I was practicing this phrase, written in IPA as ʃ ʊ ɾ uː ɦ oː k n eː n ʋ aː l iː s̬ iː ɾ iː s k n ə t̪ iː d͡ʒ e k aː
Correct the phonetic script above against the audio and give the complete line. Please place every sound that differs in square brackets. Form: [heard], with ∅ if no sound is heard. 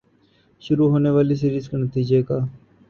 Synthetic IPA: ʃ ʊ ɾ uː ɦ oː [∅] n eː [∅] ʋ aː l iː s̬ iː ɾ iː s k n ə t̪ iː d͡ʒ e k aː